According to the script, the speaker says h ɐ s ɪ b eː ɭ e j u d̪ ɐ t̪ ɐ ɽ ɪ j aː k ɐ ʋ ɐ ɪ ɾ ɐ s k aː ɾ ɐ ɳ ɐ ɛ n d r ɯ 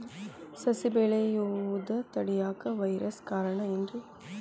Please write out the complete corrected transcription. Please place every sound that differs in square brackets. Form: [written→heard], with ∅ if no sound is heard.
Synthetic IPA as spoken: [h→s] ɐ s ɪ b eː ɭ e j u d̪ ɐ t̪ ɐ ɽ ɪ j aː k ɐ ʋ ɐ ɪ ɾ ɐ s k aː ɾ ɐ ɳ ɐ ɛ n d r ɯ

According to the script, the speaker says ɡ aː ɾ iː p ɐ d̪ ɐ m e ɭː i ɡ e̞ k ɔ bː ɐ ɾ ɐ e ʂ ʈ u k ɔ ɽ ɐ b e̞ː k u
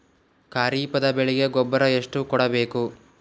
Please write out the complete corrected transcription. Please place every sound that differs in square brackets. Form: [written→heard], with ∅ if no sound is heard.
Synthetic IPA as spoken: [ɡ→k] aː ɾ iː p ɐ d̪ ɐ [m→b] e [ɭː→ɭ] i ɡ e̞ [k→ɡ] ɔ bː ɐ ɾ ɐ e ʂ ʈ u k ɔ ɽ ɐ b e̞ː k u

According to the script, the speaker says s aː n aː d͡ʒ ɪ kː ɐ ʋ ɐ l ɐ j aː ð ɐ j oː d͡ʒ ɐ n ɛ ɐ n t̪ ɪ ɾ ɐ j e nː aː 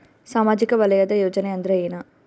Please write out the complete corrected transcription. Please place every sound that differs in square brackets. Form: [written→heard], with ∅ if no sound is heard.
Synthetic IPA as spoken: s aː [n→m] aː d͡ʒ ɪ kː ɐ ʋ ɐ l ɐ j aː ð ɐ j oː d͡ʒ ɐ n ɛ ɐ n [t̪→d̪] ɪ ɾ ɐ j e [nː→n] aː

